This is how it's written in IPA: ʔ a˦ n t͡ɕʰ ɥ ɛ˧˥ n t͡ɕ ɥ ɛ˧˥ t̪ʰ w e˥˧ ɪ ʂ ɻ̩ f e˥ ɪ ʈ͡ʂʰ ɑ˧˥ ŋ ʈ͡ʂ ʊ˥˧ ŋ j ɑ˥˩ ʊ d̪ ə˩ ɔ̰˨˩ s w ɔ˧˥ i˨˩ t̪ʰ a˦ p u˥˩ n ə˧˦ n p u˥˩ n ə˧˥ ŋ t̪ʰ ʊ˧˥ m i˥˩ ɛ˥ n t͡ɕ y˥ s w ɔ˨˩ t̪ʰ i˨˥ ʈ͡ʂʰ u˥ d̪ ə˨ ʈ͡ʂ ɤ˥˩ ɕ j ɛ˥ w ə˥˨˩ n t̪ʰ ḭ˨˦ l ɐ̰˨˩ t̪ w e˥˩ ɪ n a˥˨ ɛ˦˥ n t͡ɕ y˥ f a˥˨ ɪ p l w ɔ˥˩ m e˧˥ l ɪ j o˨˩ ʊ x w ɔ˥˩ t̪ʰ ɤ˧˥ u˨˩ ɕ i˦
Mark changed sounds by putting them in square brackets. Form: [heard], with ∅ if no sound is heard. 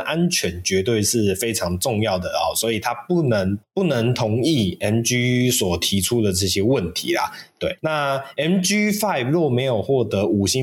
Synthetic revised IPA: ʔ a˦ n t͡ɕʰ ɥ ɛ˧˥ n t͡ɕ ɥ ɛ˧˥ [t̪] w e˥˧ ɪ ʂ ɻ̩ f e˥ ɪ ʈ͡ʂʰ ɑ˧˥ ŋ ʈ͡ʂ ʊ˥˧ ŋ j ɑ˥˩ ʊ d̪ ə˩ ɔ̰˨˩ s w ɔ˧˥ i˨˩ t̪ʰ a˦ p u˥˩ n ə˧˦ [ŋ] p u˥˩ n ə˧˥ ŋ t̪ʰ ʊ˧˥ [ŋ] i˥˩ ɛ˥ n t͡ɕ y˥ s w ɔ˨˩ t̪ʰ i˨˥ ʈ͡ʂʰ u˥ d̪ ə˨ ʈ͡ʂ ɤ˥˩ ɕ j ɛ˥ w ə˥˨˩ n t̪ʰ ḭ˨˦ l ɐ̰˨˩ t̪ w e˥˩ ɪ n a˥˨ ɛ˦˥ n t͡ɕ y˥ f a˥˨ ɪ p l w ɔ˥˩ m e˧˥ [∅] ɪ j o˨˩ ʊ x w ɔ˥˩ [t̪] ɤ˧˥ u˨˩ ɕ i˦